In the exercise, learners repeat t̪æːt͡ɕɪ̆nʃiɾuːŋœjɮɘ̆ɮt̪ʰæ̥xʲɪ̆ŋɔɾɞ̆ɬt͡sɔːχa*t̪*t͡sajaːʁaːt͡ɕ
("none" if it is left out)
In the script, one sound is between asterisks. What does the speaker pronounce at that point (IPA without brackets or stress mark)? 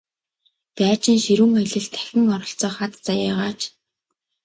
t̪